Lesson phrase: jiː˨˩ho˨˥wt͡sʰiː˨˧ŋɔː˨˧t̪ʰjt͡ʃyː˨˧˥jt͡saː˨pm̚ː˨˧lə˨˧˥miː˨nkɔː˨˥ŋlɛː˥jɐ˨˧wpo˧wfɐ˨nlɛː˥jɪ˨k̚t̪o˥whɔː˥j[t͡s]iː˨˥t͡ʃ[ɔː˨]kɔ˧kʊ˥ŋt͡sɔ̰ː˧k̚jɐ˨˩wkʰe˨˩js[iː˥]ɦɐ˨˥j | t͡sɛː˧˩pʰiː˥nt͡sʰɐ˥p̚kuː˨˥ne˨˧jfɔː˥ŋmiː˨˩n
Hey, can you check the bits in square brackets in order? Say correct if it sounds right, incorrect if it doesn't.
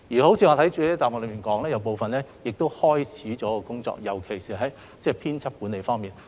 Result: incorrect: t͡sʰ, incorrect: ɔː˨˥, incorrect: iː˨

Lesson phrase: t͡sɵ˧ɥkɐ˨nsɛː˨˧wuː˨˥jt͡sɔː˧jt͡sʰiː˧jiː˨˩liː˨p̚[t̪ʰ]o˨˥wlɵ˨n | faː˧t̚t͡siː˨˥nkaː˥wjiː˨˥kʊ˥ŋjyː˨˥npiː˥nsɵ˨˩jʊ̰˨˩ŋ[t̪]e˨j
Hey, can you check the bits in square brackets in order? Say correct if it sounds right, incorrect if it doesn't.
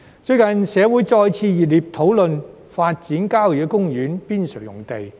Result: correct, correct

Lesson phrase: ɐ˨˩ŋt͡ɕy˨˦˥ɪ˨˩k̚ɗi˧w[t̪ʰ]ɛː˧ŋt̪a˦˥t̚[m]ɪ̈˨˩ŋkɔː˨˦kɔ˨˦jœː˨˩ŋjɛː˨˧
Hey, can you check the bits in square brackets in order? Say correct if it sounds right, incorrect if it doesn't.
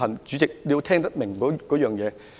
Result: correct, correct

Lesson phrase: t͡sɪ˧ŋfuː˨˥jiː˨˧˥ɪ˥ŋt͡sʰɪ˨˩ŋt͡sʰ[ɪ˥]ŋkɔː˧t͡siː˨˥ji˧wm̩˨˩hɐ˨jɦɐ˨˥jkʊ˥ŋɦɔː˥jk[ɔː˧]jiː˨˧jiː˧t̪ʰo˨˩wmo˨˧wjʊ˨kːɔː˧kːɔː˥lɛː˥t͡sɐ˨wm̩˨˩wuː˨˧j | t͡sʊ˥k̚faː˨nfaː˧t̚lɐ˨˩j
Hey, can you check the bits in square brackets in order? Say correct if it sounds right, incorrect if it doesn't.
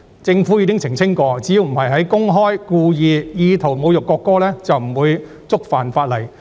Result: correct, incorrect: uː˧

